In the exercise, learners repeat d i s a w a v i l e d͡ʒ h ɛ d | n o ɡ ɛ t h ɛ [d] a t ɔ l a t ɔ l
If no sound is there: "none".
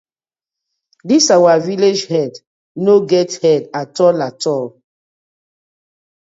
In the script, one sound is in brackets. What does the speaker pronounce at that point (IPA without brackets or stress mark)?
d